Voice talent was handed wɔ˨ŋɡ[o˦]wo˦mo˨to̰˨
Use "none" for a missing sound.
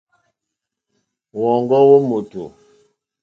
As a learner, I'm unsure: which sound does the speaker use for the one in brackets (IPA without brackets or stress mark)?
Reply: ɔ˦